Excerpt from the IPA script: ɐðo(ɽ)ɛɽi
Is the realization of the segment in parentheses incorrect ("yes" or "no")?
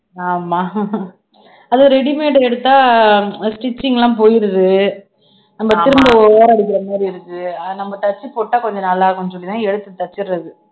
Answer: yes